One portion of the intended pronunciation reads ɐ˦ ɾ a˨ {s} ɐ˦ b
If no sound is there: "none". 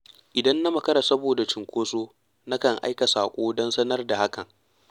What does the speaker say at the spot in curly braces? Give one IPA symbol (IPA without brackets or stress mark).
s